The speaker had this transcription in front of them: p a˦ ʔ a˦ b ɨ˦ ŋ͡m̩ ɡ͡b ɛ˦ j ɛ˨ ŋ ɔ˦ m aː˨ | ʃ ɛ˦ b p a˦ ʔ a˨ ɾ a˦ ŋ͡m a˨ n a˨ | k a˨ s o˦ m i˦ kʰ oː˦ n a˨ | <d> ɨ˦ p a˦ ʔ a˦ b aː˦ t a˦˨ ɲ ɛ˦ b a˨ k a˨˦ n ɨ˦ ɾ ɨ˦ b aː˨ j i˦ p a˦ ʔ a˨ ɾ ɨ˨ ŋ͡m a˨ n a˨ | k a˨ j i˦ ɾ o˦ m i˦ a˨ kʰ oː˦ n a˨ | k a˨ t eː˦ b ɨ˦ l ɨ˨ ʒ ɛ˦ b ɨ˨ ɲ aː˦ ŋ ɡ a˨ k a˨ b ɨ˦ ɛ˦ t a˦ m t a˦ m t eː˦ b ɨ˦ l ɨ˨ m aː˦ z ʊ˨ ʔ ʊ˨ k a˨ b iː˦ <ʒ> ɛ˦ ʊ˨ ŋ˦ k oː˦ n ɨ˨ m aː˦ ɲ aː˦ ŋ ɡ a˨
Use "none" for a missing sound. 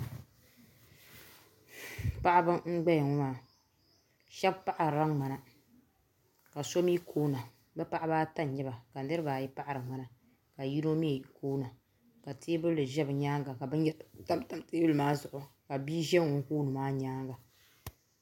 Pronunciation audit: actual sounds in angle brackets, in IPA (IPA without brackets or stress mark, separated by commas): b, ʒ